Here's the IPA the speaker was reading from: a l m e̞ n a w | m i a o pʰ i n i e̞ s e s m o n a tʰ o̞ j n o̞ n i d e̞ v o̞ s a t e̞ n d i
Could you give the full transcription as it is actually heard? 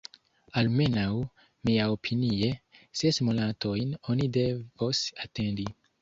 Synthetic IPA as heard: a l m e̞ n a w | m i a o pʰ i n i e̞ s e s m o n a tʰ o̞ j n o̞ n i d e̞ v o̞ s a t e̞ n d i